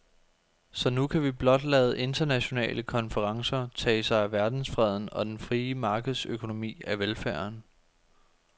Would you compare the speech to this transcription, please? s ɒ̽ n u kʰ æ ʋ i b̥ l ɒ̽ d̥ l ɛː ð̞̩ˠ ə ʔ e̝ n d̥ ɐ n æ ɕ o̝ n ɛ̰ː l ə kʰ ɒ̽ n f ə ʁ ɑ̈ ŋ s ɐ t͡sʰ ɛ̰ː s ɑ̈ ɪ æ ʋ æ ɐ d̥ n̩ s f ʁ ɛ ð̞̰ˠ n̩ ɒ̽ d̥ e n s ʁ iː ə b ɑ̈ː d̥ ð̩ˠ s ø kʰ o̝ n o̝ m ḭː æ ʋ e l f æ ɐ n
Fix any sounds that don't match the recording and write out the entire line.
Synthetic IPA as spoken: s ɒ̽ n u kʰ æ ʋ i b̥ l ɒ̽ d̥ l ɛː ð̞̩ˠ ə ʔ e̝ n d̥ ɐ n æ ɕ o̝ n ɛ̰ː l ə kʰ ɒ̽ n f ə ʁ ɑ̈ ŋ s ɐ t͡sʰ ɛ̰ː s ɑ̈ ɪ æ ʋ æ ɐ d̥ n̩ s f ʁ ɛ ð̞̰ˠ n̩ ɒ̽ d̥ e n f ʁ iː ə m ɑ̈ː ɡ̥ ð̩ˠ s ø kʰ o̝ n o̝ m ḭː æ ʋ e l f æ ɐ n

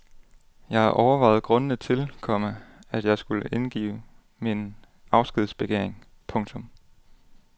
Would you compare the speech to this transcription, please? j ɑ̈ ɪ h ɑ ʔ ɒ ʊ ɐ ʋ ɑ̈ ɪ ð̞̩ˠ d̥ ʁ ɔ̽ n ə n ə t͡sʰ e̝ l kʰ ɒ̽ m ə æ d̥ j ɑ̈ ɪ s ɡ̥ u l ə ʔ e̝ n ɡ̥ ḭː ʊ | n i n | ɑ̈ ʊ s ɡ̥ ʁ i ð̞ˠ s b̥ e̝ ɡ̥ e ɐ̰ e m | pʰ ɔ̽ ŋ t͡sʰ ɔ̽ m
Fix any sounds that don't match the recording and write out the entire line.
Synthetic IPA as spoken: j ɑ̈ ɪ h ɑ ʔ ɒ ʊ ɐ ʋ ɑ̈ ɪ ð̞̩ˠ ɡ̥ ʁ ɔ̽ n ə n ə t͡sʰ e̝ l kʰ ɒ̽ m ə æ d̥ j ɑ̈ ɪ s ɡ̥ u l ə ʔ e̝ n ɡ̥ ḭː ʊ | m i n | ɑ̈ ʊ s ɡ̥ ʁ i ð̞ˠ s b̥ e̝ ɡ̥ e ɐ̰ e ŋ | pʰ ɔ̽ ŋ t͡sʰ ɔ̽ m

